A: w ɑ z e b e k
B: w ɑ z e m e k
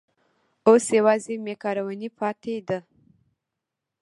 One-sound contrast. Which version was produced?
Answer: B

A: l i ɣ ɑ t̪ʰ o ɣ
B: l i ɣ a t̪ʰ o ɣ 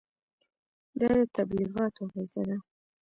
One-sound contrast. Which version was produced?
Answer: A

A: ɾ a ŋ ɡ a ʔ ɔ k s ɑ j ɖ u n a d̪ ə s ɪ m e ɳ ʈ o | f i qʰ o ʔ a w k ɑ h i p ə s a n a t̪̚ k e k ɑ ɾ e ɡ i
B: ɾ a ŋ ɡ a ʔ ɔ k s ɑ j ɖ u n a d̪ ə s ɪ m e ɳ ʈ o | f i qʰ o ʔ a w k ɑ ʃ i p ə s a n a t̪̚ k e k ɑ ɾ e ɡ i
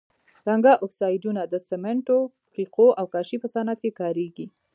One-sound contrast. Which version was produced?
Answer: B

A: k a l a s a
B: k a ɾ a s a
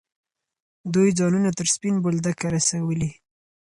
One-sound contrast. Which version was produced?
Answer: B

